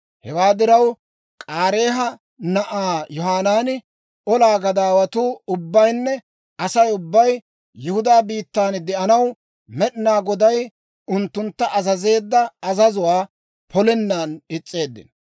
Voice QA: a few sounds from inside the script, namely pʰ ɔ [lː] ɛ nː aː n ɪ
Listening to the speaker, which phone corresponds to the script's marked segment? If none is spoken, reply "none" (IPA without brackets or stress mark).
l